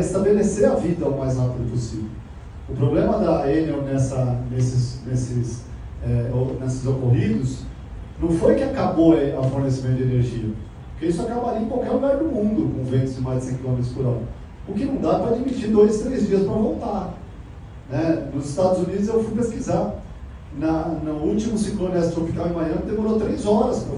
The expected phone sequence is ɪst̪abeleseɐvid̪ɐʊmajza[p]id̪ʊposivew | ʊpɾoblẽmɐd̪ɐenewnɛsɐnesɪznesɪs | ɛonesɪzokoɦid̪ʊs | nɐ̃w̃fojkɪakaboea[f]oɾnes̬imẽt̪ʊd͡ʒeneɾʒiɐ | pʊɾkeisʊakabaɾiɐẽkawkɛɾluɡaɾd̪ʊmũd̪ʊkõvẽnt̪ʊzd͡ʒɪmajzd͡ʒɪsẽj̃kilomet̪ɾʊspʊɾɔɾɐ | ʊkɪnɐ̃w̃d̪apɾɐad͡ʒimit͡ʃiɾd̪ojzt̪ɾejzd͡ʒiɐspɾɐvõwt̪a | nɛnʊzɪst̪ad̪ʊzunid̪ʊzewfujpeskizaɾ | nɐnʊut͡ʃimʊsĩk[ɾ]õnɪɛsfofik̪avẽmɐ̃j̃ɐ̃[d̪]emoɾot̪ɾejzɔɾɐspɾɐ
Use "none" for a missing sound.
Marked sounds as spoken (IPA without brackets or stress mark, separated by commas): p, f, l, d̪